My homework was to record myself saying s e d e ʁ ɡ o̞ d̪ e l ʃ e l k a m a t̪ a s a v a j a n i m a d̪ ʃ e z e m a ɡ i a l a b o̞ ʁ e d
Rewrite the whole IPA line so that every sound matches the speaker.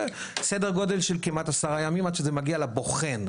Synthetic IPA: s e d e ʁ ɡ o̞ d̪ e l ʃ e l k i m a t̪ a s a ʁ a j a m i m a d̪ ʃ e z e m a ɡ i a l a b o̞ χ e n